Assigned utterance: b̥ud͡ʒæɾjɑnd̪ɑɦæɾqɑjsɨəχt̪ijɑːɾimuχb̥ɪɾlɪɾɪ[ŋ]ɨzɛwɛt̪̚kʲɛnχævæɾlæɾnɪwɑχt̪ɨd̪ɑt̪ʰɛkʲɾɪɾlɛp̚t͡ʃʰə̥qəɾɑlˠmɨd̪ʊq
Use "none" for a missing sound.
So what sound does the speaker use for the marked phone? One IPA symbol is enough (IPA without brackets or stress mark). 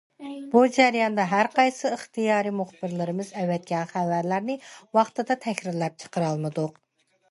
m